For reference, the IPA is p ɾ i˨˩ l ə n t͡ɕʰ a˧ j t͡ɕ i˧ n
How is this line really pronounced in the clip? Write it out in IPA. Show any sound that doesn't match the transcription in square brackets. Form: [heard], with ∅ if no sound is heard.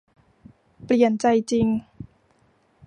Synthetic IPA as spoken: p [l] i˨˩ [∅] ə n [t͡ɕ] a˧ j t͡ɕ i˧ [ŋ]